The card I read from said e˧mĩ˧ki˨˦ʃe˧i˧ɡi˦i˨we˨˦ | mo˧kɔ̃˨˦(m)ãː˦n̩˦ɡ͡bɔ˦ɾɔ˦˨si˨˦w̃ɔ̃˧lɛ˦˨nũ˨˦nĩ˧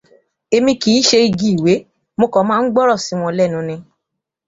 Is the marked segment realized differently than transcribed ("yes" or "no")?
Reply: no